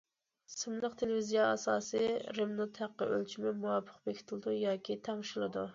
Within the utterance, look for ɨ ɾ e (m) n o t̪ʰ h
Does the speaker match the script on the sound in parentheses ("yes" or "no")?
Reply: yes